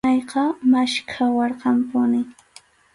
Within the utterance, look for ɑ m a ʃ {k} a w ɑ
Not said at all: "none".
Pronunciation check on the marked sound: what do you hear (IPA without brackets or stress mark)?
kʰ